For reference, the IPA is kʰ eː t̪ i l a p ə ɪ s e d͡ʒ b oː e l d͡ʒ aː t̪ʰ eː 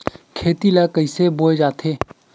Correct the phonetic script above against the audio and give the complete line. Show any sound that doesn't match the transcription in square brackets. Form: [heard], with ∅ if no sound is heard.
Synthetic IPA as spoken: kʰ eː t̪ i l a [k] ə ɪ s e [∅] b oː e [∅] d͡ʒ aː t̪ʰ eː